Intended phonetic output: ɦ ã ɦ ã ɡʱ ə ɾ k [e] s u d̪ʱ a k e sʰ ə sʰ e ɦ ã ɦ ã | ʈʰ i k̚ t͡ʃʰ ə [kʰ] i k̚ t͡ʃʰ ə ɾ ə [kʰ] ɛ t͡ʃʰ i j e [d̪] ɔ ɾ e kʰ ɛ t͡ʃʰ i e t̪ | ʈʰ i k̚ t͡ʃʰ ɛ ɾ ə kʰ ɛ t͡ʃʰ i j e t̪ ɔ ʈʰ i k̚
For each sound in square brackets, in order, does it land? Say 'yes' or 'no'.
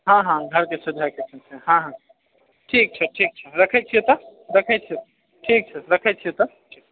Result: yes, no, yes, no

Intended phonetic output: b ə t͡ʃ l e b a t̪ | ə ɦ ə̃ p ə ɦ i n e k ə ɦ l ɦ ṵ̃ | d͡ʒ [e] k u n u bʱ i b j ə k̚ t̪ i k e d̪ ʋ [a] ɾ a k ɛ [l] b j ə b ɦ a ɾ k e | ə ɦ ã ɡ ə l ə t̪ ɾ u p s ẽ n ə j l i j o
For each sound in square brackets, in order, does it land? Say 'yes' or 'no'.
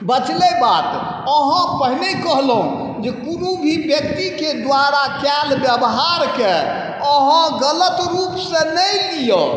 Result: yes, yes, yes

